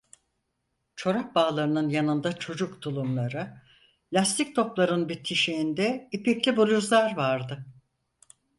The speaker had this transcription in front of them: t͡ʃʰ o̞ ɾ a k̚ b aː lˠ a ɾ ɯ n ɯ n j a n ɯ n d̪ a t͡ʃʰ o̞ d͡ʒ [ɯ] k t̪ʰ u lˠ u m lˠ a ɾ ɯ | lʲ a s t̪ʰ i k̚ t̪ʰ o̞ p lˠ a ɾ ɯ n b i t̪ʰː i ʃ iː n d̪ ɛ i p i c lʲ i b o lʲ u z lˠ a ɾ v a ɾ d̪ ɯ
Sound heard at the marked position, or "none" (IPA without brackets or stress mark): u